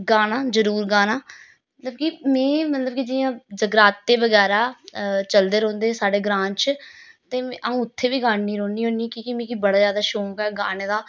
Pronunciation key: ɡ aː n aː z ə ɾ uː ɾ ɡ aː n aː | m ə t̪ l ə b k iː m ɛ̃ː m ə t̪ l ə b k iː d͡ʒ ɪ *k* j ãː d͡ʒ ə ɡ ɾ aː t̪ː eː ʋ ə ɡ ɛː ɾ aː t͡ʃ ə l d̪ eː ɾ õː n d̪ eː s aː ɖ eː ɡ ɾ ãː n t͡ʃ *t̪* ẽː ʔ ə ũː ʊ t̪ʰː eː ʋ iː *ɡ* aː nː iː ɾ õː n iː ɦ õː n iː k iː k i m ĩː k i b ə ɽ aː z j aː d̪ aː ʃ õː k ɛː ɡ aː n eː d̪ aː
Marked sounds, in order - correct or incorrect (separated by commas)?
incorrect, correct, correct